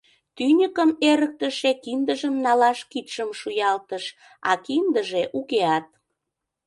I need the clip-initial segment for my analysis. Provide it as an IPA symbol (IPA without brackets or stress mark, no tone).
t̪